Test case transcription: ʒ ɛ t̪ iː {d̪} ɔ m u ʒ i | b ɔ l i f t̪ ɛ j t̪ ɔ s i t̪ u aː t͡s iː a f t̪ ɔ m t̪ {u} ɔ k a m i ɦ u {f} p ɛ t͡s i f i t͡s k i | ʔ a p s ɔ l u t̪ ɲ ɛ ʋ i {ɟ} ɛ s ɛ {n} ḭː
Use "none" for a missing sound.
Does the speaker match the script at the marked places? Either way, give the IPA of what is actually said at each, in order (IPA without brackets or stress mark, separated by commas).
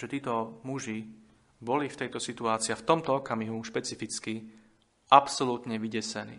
t̪, ɔ, ʃ, ɟ, n